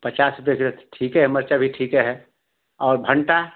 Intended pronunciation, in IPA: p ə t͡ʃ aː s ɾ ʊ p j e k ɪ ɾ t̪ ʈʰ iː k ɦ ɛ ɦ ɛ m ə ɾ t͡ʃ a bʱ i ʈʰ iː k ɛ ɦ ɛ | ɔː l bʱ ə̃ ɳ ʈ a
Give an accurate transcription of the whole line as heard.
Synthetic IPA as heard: p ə t͡ʃ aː s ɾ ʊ p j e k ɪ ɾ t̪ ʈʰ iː k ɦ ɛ ɦ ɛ m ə ɾ t͡ʃ a bʱ i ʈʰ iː k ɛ ɦ ɛ | ɔː ɾ bʱ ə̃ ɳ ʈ a